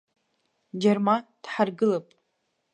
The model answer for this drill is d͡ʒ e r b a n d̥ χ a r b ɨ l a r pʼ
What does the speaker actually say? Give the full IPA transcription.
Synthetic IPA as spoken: d͡ʒ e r m a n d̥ ħ a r ɡ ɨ l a pʼ